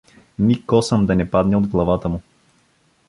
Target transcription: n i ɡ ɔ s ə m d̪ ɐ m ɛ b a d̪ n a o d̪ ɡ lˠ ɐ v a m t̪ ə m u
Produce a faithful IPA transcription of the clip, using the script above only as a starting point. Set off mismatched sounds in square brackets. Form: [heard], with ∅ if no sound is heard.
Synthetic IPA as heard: n i [k] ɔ s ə m d̪ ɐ [n] ɛ [p] a d̪ n [ɛ] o d̪ ɡ lˠ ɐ v a [∅] t̪ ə m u